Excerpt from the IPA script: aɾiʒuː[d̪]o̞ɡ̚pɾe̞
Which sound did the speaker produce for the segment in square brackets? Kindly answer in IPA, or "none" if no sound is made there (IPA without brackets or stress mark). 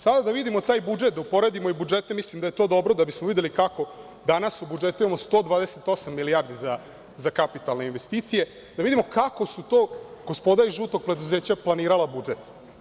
t̪